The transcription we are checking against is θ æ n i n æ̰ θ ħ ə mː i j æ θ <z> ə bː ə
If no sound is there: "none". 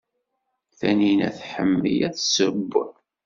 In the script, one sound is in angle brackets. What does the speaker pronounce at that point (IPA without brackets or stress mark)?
s